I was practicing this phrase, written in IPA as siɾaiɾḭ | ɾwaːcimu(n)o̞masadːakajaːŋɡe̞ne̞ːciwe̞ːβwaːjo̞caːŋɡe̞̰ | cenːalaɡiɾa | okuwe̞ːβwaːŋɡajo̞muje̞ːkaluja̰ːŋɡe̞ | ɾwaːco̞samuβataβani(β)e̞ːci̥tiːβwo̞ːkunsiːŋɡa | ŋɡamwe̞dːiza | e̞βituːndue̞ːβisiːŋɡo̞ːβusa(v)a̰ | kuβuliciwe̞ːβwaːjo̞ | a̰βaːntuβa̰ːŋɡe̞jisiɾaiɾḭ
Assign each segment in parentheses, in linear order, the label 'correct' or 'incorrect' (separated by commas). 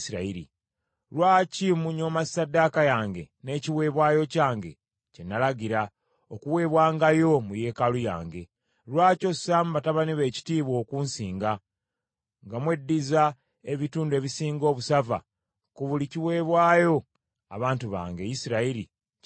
incorrect, correct, correct